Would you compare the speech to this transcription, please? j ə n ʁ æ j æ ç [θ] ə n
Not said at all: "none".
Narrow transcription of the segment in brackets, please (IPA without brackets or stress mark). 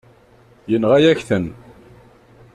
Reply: θ